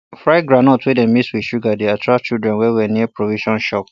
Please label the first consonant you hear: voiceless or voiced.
voiceless